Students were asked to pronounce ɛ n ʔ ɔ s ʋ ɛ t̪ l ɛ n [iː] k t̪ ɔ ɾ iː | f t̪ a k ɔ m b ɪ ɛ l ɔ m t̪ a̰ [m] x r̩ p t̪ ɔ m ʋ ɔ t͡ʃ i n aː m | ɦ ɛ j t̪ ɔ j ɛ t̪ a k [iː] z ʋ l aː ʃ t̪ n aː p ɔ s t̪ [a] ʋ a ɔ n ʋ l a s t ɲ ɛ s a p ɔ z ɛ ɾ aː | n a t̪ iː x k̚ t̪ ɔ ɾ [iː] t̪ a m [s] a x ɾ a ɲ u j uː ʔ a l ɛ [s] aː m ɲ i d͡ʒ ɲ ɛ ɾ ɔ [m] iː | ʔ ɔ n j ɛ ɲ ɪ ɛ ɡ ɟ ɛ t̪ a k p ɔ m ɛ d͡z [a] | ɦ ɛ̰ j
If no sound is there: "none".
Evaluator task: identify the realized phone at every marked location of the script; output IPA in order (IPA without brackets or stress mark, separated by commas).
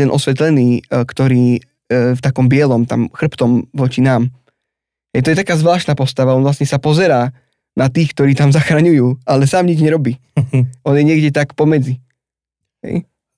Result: iː, m, aː, a, iː, z, s, b, i